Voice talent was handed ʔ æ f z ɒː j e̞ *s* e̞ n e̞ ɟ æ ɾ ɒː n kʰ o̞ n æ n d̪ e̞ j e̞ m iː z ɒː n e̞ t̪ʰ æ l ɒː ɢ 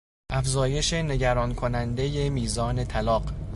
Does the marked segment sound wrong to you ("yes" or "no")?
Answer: yes